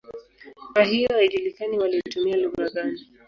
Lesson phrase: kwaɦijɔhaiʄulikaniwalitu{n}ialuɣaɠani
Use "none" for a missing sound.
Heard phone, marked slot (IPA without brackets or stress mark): m